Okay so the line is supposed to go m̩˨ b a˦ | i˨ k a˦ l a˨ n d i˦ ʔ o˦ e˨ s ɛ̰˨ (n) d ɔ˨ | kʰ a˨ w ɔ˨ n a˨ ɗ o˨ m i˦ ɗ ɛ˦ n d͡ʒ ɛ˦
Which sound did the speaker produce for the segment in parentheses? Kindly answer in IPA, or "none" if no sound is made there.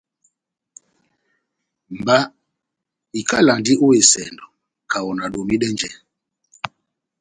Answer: n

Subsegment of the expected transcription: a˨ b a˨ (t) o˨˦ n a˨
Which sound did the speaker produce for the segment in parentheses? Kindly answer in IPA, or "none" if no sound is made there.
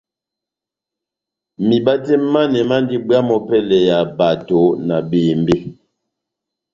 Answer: t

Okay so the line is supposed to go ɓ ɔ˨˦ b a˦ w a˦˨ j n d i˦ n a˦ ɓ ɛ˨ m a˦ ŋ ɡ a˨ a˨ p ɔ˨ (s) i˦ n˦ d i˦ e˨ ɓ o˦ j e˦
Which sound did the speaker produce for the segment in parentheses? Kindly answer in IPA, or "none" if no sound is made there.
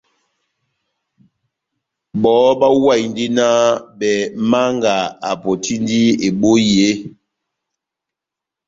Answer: t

